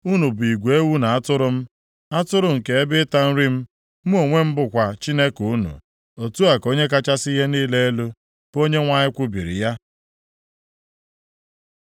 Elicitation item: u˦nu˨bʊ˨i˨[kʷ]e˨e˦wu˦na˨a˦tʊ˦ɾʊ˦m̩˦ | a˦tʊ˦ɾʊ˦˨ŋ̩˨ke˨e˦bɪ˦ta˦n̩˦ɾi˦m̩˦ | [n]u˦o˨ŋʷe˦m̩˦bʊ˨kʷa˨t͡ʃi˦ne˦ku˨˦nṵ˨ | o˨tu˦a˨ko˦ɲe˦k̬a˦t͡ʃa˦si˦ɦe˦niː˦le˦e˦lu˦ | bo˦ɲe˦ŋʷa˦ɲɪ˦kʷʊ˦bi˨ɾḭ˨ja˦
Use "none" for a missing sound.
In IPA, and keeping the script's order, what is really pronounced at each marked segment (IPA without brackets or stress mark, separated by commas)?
ɡʷ, m